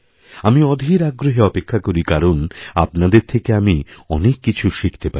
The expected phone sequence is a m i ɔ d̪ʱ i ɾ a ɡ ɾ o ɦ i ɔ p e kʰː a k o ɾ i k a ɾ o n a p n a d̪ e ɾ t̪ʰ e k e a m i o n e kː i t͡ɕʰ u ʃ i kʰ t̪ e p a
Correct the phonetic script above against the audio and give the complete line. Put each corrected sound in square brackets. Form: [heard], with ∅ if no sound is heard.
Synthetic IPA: a m i ɔ d̪ʱ i ɾ a ɡ ɾ o ɦ [e] ɔ p e kʰː a k o ɾ i k a ɾ o n a p n a d̪ e ɾ t̪ʰ e k e a m i [ɔ] n e kː i t͡ɕʰ u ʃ i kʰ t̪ e p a